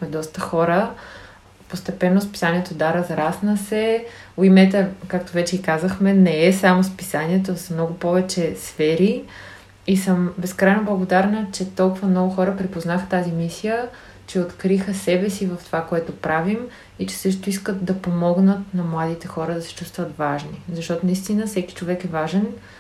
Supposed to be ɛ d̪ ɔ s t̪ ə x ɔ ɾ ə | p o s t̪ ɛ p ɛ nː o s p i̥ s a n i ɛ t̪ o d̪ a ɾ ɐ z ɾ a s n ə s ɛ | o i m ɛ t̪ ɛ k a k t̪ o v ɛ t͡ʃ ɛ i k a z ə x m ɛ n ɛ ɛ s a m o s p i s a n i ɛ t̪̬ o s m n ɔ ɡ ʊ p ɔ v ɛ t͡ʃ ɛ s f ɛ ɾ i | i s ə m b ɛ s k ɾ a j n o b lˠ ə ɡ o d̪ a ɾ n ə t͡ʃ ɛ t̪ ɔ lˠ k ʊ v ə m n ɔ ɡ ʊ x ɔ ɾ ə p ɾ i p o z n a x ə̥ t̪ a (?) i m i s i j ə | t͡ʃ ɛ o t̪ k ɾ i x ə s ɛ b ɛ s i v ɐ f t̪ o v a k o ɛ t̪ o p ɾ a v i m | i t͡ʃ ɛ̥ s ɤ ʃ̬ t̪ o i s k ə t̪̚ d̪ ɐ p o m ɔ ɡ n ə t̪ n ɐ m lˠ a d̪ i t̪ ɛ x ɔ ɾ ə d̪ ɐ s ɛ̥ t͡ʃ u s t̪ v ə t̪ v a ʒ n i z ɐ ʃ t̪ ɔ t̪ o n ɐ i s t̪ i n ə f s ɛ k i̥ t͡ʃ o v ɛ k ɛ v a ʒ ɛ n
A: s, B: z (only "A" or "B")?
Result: B